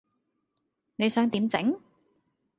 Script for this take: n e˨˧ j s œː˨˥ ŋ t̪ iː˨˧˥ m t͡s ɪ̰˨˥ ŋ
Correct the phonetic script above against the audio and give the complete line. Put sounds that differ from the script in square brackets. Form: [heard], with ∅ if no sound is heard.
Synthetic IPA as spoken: n e˨˧ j s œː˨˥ ŋ t̪ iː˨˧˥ m t͡s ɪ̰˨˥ ŋ